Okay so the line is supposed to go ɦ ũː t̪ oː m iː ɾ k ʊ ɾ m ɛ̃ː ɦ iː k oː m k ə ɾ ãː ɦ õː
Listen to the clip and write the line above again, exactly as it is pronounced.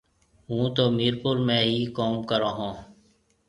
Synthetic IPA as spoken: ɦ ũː t̪ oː m iː ɾ p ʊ ɾ m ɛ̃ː ɦ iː k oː m k ə ɾ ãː ɦ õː